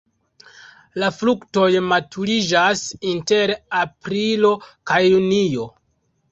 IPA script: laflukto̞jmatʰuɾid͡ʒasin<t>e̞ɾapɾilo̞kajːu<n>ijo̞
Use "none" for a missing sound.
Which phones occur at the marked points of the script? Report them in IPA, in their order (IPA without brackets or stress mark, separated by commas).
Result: t, n